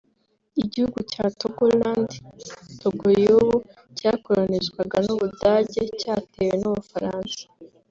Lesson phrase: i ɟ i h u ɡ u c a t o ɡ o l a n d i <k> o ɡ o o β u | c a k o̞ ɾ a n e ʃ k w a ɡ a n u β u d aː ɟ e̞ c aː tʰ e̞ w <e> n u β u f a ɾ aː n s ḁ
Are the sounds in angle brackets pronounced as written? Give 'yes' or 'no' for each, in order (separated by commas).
no, yes